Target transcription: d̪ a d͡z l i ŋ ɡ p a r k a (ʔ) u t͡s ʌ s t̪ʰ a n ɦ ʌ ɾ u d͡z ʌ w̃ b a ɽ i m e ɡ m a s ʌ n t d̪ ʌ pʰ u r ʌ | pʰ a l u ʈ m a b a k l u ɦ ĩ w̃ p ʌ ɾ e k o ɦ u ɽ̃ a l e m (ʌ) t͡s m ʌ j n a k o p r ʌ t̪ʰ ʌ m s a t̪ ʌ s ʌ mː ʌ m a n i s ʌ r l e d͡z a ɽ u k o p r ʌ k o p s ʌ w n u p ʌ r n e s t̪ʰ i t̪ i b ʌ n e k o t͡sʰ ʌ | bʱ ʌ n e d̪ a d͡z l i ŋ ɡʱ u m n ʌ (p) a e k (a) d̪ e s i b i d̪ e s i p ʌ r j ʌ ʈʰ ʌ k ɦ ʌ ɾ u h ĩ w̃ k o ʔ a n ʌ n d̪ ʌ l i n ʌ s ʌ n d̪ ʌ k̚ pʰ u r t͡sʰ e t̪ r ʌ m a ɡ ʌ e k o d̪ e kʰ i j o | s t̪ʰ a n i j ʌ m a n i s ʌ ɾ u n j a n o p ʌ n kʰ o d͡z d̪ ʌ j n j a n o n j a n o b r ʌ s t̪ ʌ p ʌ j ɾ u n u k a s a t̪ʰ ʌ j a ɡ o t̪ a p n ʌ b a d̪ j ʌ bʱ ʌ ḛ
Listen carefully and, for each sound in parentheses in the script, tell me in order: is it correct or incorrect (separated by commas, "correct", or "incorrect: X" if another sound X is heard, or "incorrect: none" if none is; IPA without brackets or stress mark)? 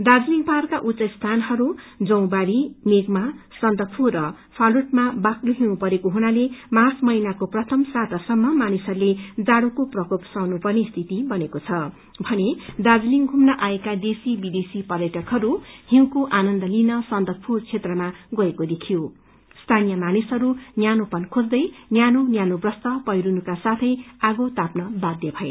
correct, incorrect: a, incorrect: ʔ, correct